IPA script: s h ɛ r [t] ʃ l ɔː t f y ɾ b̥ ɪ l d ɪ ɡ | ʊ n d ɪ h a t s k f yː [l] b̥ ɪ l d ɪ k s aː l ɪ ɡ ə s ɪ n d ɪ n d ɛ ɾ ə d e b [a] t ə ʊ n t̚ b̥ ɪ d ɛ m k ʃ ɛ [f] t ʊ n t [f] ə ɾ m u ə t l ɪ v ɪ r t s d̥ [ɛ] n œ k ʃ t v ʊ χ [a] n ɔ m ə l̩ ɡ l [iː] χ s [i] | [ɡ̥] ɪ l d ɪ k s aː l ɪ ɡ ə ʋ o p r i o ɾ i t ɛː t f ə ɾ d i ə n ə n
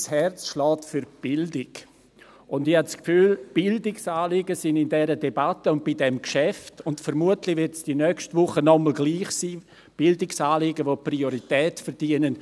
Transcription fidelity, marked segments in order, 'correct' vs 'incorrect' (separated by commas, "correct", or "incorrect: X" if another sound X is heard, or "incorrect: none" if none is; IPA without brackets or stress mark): incorrect: t͡s, correct, correct, correct, correct, incorrect: i, incorrect: ə, correct, incorrect: iː, incorrect: b̥